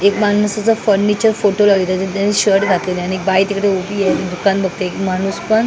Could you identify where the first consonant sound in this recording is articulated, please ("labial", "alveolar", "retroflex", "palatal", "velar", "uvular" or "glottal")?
velar